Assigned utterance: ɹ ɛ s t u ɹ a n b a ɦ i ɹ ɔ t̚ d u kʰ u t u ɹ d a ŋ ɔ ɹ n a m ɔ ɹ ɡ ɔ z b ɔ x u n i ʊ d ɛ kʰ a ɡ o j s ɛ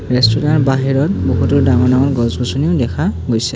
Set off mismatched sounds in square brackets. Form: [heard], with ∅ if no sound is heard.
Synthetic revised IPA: ɹ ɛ s t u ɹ a n b a ɦ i ɹ ɔ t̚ [b] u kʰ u t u ɹ d a ŋ ɔ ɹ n a [ŋ] ɔ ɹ ɡ ɔ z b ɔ [s] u n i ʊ d ɛ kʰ a ɡ o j s ɛ